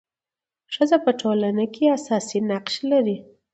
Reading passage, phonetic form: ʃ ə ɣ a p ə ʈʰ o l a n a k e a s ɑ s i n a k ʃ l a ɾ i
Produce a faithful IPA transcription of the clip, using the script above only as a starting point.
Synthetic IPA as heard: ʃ ə z a p ə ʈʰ o l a n a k e a s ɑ s i n a q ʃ l a ɾ i